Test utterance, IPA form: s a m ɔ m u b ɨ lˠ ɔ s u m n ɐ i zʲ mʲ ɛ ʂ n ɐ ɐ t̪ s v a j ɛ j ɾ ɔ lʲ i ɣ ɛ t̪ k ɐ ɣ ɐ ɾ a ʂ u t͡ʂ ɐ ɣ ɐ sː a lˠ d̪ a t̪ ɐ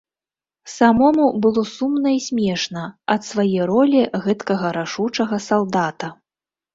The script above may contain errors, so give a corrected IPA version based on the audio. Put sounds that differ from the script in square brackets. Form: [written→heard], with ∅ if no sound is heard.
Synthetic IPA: s a m ɔ m u b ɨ lˠ ɔ s u m n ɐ i [zʲ→sʲ] mʲ ɛ ʂ n ɐ ɐ t̪ s v a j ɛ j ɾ ɔ lʲ i ɣ ɛ t̪ k ɐ ɣ ɐ ɾ a ʂ u t͡ʂ ɐ ɣ ɐ [sː→s] a lˠ d̪ a t̪ ɐ